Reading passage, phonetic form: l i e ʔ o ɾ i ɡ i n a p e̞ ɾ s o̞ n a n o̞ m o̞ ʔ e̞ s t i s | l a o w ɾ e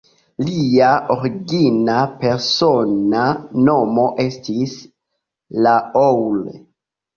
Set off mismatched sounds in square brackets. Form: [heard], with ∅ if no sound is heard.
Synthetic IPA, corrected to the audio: l i [a] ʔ o ɾ i ɡ i n a p e̞ ɾ s o̞ n a n o̞ m o̞ ʔ e̞ s t i s | l a o w [l] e